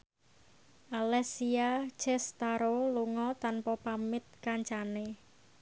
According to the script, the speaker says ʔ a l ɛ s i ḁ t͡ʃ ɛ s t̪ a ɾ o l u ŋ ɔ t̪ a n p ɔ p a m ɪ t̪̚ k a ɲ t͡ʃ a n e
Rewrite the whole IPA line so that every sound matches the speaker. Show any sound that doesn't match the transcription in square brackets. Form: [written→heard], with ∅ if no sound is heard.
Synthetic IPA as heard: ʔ a l ɛ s i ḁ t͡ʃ ɛ s t̪ a ɾ o l u ŋ ɔ t̪ a n p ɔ p a m ɪ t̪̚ k a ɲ t͡ʃ a n e